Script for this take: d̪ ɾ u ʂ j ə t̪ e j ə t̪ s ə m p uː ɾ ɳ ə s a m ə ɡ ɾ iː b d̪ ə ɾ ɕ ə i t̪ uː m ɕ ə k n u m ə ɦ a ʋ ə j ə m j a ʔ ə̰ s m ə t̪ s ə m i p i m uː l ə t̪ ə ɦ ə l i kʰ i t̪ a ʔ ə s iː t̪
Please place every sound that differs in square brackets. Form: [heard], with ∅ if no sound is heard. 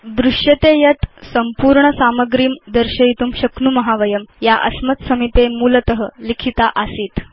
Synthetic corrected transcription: d̪ ɾ u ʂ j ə t̪ e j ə t̪ s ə m p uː ɾ ɳ ə s a m ə ɡ ɾ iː [m] d̪ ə ɾ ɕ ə i t̪ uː m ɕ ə k n u m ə ɦ a ʋ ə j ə m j a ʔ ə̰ s m ə t̪ s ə m i p [e] m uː l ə t̪ ə ɦ ə l i kʰ i t̪ a ʔ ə s iː t̪